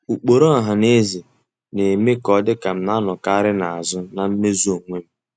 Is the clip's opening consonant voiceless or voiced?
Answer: voiceless